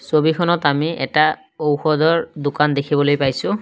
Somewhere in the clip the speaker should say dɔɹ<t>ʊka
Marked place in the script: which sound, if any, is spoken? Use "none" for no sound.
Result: d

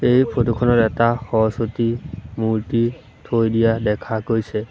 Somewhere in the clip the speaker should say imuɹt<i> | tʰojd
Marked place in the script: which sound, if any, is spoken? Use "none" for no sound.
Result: i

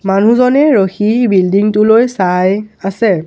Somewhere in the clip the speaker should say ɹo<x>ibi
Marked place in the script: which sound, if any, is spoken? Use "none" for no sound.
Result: x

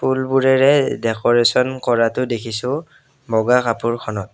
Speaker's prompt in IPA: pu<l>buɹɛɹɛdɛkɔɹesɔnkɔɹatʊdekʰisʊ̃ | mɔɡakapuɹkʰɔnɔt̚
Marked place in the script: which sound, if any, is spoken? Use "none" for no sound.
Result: l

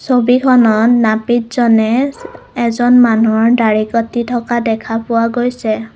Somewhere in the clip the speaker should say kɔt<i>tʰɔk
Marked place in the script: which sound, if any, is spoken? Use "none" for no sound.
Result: i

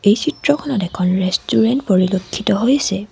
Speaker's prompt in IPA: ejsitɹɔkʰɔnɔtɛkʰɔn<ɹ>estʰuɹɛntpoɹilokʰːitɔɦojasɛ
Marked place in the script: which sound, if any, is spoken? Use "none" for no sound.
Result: ɹ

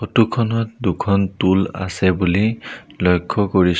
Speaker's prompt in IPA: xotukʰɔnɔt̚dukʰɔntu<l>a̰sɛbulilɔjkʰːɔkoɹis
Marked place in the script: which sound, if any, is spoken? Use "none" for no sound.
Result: l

